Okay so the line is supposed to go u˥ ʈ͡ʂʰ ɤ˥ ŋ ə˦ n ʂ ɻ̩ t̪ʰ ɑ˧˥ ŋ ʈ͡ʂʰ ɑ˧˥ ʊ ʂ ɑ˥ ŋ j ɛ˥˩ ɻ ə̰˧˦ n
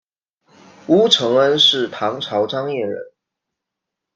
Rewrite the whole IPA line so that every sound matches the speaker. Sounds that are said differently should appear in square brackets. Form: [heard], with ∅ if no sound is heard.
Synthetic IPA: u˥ ʈ͡ʂʰ [ɤ˧˥] ŋ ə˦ n ʂ ɻ̩ t̪ʰ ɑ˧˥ ŋ ʈ͡ʂʰ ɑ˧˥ ʊ [ʈ͡ʂ] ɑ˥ ŋ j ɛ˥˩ ɻ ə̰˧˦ n